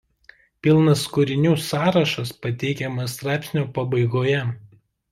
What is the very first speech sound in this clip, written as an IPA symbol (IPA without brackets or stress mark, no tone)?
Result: pʲ